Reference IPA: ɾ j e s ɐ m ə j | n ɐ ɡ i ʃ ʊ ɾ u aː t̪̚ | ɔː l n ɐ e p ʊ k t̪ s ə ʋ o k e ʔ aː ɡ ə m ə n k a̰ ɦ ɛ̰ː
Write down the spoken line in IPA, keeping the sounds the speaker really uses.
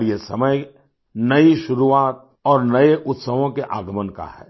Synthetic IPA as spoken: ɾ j e s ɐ m ə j | n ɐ i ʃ ʊ ɾ u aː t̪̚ | ɔː ɾ n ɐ e ʔ ʊ t̪ s ə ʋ õ k e ʔ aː ɡ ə m ə n k a̰ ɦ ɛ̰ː